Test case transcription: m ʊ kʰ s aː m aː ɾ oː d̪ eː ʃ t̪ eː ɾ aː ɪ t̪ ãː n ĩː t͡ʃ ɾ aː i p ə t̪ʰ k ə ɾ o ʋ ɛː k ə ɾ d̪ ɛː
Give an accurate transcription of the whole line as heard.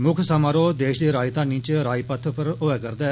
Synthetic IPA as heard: m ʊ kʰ s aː m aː ɾ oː d̪ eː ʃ d̪ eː ɾ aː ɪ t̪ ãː n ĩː t͡ʃ ɾ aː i p ə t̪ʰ p ə ɾ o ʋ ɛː k ə ɾ d̪ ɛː